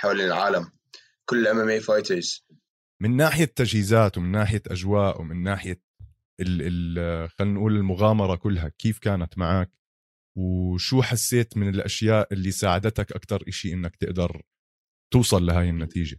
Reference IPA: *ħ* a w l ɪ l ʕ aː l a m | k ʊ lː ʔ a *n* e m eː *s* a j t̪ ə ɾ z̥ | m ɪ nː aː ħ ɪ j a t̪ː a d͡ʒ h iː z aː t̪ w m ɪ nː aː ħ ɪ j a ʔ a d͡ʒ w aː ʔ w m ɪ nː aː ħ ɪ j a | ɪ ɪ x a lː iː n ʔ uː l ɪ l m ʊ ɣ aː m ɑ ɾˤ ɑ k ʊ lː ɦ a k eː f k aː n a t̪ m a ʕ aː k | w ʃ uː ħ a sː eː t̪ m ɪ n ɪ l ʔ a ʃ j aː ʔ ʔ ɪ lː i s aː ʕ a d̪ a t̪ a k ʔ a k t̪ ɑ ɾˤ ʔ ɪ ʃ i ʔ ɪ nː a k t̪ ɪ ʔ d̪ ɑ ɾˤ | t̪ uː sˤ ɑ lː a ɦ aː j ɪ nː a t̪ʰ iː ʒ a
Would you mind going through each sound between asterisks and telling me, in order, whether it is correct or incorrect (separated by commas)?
correct, incorrect, incorrect